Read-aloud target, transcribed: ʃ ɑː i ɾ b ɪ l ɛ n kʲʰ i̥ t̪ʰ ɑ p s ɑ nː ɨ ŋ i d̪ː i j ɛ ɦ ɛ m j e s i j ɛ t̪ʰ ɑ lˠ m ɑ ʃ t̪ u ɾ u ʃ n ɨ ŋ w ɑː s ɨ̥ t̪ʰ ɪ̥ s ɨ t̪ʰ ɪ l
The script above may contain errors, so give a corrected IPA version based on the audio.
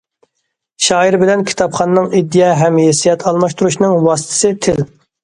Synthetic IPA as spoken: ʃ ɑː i ɾ b ɪ l ɛ n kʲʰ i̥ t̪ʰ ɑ p χ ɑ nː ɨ ŋ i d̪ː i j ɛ ɦ ɛ m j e s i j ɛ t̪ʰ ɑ lˠ m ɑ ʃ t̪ u ɾ u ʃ n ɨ ŋ w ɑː s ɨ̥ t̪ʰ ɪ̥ s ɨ t̪ʰ ɪ l